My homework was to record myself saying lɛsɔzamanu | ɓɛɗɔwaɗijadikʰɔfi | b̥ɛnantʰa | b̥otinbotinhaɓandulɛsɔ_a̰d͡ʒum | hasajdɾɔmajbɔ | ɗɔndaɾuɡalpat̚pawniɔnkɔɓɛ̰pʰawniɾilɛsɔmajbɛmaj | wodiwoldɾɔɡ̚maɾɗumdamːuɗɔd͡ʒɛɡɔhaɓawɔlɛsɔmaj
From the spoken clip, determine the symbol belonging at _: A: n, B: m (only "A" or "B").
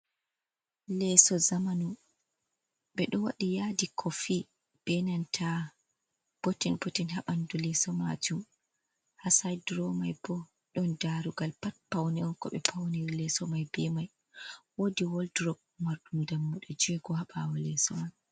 B